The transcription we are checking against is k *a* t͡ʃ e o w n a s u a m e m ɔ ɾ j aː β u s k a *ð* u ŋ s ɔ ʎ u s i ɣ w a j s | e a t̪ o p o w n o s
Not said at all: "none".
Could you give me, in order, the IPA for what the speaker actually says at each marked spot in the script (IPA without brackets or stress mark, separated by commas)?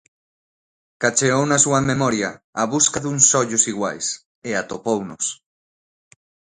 a, ð